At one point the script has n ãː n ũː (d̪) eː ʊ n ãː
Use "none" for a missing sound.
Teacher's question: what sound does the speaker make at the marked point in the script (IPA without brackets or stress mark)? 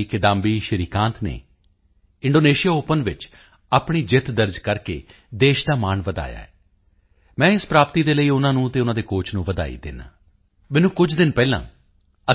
t̪